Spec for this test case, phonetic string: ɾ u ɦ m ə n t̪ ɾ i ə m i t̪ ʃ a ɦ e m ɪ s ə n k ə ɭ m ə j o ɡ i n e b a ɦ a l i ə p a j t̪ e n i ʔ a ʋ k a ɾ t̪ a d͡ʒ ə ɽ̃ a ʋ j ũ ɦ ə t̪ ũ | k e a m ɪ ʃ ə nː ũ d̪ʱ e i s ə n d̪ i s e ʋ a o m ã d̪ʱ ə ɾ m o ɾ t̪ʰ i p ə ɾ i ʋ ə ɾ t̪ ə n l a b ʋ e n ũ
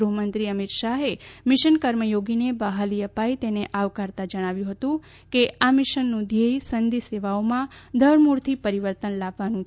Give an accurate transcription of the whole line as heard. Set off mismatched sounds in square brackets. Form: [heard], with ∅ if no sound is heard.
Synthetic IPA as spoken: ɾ u ɦ m ə n t̪ ɾ i ə m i t̪ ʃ a ɦ e m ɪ [ʃ] ə n k ə [ɾ] m ə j o ɡ i n e b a ɦ a l i ə p a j t̪ e n [e] ʔ a ʋ k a ɾ t̪ a d͡ʒ ə ɽ̃ a ʋ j ũ ɦ ə t̪ ũ | k e a m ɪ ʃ ə nː ũ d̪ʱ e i s ə n d̪ i s e ʋ a o m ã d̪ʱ ə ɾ m [u] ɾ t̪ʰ i p ə ɾ i ʋ ə ɾ t̪ ə n l a b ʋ [a] n ũ